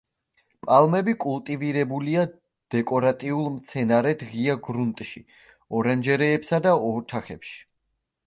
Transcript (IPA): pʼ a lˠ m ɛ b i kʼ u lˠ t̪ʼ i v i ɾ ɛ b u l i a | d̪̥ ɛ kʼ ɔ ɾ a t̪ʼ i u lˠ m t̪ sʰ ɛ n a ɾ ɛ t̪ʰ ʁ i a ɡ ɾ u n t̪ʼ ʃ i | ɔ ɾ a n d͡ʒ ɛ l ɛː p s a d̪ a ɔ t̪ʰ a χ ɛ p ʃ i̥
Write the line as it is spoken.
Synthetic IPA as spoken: pʼ a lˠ m ɛ b i kʼ u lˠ t̪ʼ i v i ɾ ɛ b u l i a | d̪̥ ɛ kʼ ɔ ɾ a t̪ʼ i u lˠ m t̪ sʰ ɛ n a ɾ ɛ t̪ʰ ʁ i a ɡ ɾ u n t̪ʼ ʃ i | ɔ ɾ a n d͡ʒ ɛ ɾ ɛː p s a d̪ a ɔ t̪ʰ a χ ɛ p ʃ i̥